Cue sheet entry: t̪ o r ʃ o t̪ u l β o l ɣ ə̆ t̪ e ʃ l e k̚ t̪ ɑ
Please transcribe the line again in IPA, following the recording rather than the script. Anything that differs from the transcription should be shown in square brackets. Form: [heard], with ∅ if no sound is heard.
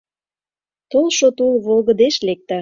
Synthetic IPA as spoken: t̪ o [l] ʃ o t̪ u l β o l ɣ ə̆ [d̪] e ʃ l e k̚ t̪ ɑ